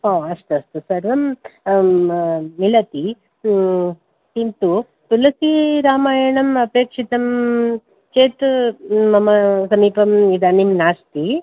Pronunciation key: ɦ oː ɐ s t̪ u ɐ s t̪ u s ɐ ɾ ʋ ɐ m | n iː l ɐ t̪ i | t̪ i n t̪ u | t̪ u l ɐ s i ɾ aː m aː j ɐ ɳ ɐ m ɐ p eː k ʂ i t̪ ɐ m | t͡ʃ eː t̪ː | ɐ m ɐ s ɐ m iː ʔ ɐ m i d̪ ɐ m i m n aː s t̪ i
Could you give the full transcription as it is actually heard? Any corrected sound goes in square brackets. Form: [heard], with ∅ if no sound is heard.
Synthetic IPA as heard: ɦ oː ɐ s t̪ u ɐ s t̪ u s ɐ ɾ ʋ ɐ m | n [i] l ɐ t̪ i | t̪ i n t̪ u | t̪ u l ɐ s i ɾ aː m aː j ɐ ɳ ɐ m ɐ p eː k ʂ i t̪ ɐ m | t͡ʃ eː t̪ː | ɐ m ɐ s ɐ m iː [p] ɐ m i d̪ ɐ [n] i m n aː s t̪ i